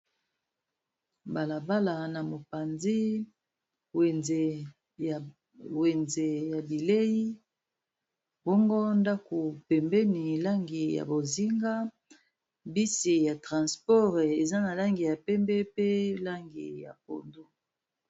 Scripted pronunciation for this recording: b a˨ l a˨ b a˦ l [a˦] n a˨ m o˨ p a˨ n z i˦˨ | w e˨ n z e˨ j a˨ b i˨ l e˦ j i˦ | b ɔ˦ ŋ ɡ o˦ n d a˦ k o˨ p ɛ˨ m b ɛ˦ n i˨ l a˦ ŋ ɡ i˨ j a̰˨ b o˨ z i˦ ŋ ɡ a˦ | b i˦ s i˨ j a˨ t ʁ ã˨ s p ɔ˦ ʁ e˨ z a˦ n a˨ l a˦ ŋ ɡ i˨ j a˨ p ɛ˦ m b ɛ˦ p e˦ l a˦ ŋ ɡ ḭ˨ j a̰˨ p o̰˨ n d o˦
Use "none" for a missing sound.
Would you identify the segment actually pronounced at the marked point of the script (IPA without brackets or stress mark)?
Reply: a˨